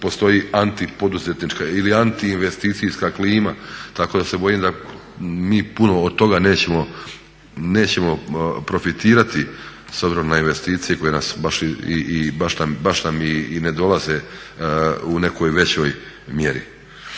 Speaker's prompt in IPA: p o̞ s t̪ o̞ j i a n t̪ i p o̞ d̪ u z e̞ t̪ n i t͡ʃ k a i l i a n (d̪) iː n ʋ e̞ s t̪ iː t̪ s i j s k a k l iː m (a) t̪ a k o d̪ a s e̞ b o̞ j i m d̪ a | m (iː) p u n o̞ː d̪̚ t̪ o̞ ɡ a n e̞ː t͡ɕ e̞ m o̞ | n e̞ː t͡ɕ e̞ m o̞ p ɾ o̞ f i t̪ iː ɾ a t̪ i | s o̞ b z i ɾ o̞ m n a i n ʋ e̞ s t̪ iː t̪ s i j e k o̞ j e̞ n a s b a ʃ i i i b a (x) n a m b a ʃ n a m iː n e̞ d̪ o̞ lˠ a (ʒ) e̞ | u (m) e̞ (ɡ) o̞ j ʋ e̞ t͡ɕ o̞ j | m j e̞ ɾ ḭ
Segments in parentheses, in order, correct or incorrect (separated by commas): incorrect, correct, correct, incorrect, incorrect, incorrect, incorrect